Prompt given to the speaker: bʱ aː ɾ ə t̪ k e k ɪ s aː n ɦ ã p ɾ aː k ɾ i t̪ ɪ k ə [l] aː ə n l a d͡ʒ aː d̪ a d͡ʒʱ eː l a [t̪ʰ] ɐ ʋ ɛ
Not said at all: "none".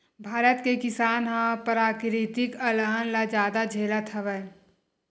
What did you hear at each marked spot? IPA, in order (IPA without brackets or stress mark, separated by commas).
l, t̪ʰ